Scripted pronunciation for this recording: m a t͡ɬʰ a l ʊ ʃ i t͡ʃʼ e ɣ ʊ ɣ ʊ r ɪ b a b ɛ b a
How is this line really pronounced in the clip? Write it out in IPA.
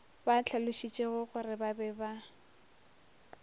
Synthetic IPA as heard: b a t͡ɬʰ a l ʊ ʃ i t͡ʃʼ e ɣ ʊ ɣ ʊ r ɪ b a b ɛ b a